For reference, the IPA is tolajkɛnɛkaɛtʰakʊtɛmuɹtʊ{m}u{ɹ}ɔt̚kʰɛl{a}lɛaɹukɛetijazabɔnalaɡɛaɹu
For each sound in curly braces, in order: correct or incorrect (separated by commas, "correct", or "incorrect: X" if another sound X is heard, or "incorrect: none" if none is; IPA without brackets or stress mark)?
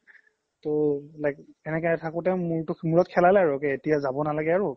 correct, correct, correct